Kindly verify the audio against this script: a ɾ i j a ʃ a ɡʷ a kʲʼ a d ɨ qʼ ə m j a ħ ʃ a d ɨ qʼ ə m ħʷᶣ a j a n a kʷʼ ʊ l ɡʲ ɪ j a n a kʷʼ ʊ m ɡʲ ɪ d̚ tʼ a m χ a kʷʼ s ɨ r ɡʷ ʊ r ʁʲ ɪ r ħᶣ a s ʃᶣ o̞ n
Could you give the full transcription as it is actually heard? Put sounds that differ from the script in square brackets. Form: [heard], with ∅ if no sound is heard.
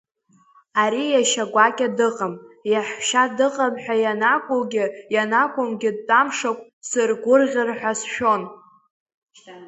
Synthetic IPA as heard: a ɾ i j a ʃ a ɡʷ a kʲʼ a d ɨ qʼ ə m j a ħ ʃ a d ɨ qʼ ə m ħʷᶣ a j a n a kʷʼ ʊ l ɡʲ ɪ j a n a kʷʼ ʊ m ɡʲ ɪ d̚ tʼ a m [ʂ] a kʷʼ s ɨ r ɡʷ ʊ r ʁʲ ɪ r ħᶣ a s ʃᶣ o̞ n